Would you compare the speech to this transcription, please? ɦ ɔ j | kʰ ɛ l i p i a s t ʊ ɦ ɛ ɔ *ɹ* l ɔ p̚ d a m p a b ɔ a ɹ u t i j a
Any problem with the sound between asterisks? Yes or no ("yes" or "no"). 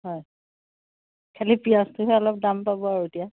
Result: yes